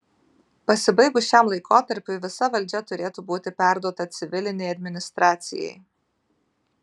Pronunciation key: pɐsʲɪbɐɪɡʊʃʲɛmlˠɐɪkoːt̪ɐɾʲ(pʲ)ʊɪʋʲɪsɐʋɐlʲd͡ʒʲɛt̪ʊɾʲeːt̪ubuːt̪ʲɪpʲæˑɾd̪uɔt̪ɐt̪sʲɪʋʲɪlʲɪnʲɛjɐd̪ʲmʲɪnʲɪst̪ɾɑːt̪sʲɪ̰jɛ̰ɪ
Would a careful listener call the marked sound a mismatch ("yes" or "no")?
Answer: no